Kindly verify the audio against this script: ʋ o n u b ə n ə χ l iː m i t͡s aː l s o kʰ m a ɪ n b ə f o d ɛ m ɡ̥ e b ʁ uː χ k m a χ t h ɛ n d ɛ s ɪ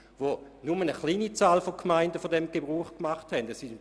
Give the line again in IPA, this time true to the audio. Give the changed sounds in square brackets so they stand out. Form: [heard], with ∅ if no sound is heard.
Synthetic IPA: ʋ o n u [m] ə n ə χ l iː [n] i t͡s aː l [f] o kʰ m a ɪ n [d] ə f o d ɛ m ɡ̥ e b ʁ uː χ k m a χ t h ɛ n d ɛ s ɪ